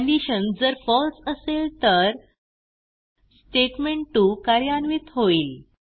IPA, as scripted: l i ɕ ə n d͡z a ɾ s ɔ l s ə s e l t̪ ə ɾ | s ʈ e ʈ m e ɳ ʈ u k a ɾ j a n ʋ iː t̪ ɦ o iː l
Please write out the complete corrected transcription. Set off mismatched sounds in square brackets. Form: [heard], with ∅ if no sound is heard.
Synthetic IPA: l i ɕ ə n d͡z [ə] ɾ [f] ɔ l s ə s e l t̪ ə ɾ | s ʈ e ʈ m e ɳ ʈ u k a ɾ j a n ʋ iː t̪ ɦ o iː l